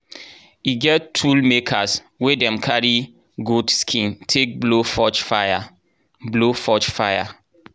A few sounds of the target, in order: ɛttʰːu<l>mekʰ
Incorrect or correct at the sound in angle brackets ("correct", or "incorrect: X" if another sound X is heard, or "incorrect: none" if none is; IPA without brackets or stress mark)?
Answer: correct